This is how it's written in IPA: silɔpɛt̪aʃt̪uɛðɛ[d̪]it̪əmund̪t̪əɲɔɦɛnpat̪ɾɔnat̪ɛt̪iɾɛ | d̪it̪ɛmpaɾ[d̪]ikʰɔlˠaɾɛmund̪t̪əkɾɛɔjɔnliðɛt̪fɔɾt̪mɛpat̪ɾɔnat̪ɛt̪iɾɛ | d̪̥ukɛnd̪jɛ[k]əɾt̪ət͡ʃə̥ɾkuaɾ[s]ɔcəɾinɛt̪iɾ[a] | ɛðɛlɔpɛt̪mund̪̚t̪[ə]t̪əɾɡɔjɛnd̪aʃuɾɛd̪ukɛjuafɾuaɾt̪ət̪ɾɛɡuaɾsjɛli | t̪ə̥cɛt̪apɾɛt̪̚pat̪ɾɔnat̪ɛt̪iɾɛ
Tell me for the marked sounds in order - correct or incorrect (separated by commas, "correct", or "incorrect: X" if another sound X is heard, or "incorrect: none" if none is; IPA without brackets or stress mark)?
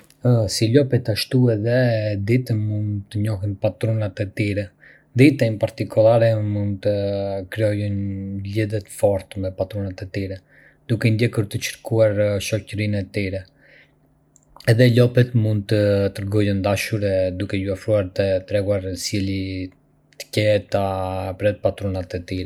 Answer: correct, incorrect: t̪, correct, incorrect: ʃ, incorrect: ɛ, correct